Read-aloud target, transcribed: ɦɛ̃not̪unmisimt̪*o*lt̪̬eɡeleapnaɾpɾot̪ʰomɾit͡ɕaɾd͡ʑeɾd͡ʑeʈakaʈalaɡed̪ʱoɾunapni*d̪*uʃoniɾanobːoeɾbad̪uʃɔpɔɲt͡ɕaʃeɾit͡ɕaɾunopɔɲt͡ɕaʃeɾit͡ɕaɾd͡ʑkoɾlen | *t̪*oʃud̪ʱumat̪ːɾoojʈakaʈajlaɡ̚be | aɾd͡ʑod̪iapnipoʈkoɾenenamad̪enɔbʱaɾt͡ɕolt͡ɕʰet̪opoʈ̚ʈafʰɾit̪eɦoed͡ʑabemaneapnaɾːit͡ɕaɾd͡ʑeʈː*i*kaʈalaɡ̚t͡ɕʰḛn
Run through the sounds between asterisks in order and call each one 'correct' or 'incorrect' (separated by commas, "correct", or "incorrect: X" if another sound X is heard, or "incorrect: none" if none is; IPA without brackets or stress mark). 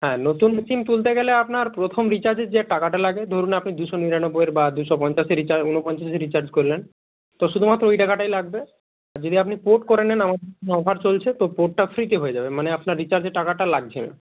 incorrect: u, correct, correct, incorrect: a